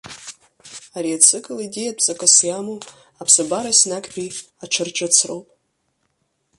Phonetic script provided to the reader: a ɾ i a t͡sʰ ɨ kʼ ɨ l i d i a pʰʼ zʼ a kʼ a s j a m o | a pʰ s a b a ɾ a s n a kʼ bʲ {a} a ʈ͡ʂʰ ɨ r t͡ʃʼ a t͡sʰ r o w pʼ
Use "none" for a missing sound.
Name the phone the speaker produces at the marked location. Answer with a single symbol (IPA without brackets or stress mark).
i